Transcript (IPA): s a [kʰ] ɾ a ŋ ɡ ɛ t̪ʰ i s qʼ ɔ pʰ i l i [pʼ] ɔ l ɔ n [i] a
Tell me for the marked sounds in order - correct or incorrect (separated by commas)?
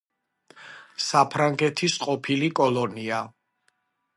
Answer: incorrect, incorrect, correct